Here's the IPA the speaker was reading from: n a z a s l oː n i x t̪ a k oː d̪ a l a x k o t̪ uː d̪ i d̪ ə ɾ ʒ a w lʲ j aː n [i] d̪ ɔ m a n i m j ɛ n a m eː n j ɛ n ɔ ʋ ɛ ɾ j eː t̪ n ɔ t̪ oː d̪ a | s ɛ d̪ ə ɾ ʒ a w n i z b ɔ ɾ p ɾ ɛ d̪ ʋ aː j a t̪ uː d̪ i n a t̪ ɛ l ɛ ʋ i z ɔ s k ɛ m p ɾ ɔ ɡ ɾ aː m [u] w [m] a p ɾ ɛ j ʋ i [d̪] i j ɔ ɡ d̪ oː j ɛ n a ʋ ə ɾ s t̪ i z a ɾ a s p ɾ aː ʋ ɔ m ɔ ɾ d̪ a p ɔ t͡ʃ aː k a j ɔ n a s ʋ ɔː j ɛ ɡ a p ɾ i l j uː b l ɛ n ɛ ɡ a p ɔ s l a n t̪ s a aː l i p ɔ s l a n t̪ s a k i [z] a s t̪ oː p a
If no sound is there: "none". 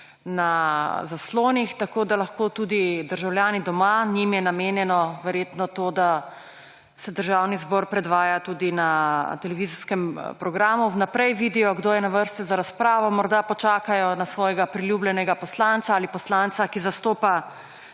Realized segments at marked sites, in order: i, u, n, d̪, z

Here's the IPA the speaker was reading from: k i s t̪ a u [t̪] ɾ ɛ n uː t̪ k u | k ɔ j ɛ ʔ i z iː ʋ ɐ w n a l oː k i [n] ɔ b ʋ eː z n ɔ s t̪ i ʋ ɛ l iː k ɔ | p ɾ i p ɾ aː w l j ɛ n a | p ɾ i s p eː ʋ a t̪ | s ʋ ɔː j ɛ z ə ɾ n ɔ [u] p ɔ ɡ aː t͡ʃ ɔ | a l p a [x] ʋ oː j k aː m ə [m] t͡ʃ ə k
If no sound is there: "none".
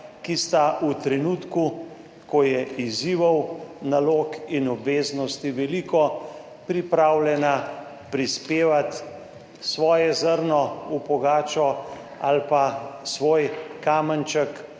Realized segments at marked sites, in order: t̪, n, u, s, n

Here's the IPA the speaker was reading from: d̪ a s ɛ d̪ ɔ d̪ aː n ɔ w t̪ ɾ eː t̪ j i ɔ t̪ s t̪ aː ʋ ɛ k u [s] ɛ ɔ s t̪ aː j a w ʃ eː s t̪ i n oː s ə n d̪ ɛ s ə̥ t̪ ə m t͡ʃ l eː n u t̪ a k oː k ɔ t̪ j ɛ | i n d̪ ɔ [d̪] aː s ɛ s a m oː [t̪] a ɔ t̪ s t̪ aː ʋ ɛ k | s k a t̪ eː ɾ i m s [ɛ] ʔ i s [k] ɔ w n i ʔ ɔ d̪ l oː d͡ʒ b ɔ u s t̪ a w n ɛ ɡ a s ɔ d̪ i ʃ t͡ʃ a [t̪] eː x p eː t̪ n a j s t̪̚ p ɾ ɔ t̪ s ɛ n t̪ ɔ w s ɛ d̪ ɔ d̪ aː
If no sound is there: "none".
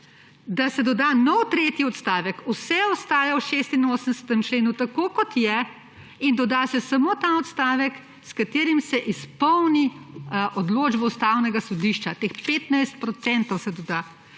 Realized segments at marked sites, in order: s, d̪, t̪, ɛ, p, t̪

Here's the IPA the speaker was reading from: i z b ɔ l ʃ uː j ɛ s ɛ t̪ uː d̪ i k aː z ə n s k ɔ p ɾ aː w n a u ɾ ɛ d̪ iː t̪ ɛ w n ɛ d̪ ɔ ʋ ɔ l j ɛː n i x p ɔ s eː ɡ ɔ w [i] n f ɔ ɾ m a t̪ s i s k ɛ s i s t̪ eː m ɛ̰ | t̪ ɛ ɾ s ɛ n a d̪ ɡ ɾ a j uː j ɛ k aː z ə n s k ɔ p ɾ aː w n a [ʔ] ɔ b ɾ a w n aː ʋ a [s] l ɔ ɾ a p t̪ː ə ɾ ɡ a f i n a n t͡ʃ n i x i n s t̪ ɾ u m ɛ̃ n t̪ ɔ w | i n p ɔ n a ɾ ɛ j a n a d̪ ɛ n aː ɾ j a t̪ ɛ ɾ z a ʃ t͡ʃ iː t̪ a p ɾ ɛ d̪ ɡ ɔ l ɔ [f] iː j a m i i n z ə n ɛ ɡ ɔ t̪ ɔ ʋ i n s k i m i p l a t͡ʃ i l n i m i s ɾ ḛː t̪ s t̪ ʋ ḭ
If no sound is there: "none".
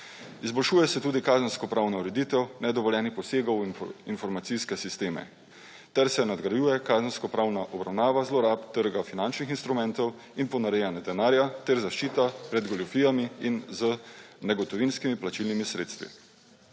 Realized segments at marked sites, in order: i, ʔ, z, f

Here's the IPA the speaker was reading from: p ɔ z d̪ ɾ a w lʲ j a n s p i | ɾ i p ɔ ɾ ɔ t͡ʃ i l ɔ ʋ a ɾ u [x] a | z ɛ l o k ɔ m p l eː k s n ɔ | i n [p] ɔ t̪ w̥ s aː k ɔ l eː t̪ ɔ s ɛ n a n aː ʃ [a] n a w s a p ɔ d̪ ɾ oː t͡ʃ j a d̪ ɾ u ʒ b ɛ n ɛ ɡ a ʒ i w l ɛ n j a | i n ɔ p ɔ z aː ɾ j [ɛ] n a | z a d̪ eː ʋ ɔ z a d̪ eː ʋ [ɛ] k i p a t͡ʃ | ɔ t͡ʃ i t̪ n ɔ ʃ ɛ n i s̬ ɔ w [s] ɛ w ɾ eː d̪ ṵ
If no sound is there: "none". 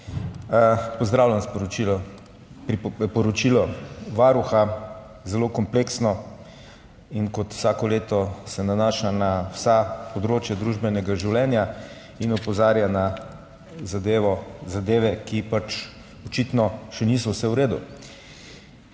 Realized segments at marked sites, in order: x, k, a, a, ɛ, s

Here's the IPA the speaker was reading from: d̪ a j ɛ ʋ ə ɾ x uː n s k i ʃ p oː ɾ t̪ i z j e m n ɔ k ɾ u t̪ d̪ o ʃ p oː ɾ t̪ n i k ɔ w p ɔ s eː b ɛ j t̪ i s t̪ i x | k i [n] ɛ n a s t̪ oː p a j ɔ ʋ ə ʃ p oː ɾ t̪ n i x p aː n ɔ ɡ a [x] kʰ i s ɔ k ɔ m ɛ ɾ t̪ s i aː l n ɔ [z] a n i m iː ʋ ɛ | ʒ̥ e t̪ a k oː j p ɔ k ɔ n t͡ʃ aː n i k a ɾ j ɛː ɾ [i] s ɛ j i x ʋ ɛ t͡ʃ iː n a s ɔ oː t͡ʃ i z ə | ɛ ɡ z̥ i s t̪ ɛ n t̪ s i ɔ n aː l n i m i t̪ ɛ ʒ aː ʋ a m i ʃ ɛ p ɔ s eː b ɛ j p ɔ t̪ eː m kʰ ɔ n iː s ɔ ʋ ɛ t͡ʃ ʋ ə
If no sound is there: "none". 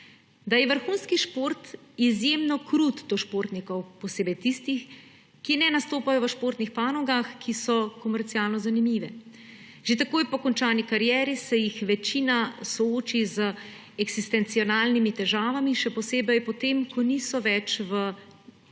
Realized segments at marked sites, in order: n, x, z, i

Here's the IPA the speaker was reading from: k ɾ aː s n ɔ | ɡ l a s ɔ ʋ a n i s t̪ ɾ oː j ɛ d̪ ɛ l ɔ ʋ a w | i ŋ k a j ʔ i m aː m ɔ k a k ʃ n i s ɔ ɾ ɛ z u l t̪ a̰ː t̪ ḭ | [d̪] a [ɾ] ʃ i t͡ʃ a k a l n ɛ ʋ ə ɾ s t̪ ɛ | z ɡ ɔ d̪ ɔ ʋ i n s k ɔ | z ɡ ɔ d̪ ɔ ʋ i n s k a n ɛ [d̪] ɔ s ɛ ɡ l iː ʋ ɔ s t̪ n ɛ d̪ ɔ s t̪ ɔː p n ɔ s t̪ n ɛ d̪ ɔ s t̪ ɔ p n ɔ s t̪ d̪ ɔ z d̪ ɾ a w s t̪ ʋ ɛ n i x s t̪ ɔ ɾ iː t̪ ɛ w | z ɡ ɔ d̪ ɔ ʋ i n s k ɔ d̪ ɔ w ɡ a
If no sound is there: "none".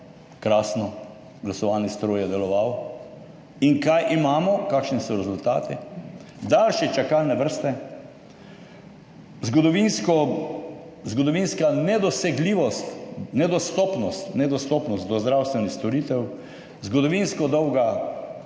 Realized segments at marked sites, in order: d̪, l, d̪

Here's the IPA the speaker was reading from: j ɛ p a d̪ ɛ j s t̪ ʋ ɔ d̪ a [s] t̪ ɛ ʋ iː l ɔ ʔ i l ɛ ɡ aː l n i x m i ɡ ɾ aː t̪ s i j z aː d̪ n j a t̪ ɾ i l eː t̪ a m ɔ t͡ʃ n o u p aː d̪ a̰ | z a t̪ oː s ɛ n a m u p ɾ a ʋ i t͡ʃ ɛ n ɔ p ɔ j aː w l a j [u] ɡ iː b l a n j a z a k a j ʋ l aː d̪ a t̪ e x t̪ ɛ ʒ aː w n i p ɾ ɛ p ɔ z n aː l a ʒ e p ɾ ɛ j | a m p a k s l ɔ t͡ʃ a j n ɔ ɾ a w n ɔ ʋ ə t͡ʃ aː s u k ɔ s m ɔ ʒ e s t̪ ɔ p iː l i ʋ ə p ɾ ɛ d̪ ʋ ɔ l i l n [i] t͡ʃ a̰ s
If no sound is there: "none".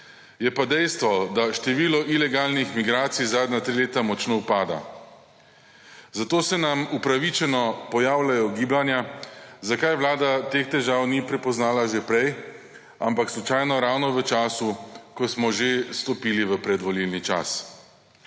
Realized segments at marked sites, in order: ʃ, ɔ, i

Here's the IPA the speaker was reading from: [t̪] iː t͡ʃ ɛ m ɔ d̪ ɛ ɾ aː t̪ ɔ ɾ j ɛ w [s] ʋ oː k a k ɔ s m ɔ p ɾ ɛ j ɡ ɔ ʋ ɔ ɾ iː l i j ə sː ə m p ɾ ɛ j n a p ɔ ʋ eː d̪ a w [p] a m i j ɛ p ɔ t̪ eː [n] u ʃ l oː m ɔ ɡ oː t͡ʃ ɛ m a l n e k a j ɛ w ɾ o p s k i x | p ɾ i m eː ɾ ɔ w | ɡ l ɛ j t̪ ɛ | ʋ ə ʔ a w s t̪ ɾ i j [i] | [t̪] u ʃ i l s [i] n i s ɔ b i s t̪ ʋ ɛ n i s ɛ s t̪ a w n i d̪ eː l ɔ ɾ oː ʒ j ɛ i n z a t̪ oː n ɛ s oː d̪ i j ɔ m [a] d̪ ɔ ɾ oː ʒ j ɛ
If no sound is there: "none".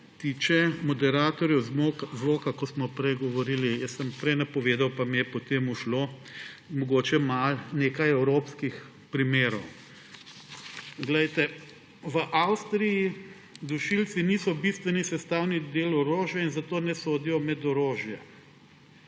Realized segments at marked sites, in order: t̪, z, p, m, i, d̪, i, ɛ

